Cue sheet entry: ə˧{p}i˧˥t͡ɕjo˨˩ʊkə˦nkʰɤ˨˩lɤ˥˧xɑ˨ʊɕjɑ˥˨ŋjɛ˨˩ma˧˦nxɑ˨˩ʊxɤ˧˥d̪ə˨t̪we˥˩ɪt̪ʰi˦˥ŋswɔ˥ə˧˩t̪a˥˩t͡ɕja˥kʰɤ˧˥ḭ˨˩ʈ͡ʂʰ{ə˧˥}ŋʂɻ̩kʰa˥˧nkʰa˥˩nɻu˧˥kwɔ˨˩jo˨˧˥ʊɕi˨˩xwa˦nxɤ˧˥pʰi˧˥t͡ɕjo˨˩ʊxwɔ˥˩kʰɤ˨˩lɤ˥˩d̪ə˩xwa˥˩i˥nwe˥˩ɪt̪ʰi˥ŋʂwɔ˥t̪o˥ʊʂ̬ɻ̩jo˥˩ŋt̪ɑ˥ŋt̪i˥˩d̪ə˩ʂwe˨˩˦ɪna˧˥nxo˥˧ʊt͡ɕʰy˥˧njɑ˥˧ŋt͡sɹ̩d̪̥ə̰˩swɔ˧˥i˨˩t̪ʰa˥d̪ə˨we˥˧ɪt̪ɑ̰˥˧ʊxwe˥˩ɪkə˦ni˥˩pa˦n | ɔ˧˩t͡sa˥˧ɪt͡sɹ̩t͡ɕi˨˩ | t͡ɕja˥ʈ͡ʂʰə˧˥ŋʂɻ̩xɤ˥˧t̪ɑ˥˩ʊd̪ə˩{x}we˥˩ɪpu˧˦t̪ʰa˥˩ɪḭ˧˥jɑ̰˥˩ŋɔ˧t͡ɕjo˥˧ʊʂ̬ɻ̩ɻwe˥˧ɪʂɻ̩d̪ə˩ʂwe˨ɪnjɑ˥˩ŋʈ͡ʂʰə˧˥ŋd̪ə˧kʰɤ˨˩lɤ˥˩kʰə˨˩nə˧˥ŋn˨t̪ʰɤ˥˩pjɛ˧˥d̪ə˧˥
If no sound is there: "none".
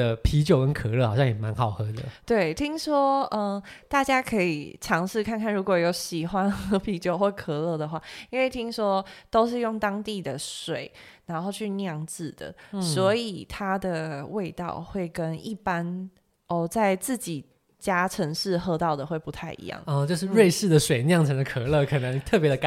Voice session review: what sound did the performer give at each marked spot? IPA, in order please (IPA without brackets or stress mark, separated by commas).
pʰ, ɑ˧˥, x